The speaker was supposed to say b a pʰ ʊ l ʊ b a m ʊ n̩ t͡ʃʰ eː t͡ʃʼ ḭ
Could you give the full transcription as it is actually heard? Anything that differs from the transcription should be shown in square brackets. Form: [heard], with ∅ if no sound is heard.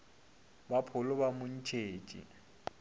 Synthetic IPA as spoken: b a pʰ ʊ l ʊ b a m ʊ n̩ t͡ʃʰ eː t͡ʃʼ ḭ